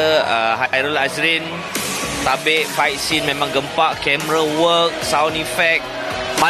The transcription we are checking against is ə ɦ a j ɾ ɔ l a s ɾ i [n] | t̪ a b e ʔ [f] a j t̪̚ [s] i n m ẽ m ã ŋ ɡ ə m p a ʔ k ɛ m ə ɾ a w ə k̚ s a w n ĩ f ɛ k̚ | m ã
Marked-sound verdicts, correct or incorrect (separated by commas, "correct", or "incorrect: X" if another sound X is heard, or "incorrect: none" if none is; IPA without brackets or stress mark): correct, correct, correct